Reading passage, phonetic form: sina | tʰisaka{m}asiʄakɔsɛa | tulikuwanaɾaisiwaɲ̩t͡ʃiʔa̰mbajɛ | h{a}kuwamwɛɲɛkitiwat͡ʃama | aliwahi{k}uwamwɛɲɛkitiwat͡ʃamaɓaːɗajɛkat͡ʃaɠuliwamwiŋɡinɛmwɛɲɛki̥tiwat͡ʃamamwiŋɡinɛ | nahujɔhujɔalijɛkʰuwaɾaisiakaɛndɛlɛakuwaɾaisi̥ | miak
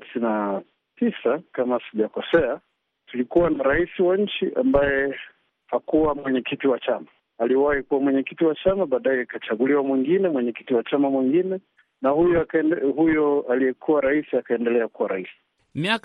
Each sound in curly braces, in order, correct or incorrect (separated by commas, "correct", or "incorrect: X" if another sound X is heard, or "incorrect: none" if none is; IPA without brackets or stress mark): correct, correct, correct